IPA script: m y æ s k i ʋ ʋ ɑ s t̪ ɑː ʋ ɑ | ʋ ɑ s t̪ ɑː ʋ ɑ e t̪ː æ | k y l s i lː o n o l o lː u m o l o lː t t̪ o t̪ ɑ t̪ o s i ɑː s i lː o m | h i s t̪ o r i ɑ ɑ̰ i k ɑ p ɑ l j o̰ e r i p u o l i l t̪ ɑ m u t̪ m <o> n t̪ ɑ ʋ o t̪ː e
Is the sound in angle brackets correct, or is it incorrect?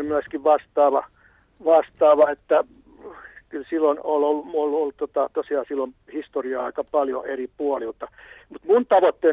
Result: incorrect